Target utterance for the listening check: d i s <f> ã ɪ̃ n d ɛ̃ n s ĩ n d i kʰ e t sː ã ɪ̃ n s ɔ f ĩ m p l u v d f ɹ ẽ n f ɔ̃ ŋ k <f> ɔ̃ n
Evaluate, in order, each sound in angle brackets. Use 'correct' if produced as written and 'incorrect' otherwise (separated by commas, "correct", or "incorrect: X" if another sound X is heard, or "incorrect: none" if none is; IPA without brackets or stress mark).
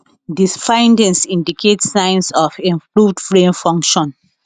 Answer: correct, incorrect: ʃ